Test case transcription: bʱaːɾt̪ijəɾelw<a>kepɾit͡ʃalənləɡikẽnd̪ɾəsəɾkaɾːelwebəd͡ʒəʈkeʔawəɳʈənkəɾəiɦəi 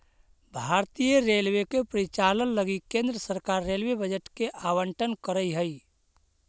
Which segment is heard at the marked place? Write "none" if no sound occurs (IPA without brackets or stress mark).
e